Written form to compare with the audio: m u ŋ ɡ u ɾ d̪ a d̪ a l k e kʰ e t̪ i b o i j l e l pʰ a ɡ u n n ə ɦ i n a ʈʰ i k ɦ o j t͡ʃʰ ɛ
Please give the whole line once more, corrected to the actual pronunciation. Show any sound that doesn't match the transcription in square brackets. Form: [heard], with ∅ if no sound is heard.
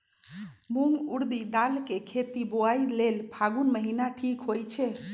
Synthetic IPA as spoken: m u ŋ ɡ u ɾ d̪ [i] d̪ a l k e kʰ e t̪ i b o [a] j l e l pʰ a ɡ u n [m] ə ɦ i n a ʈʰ i k ɦ o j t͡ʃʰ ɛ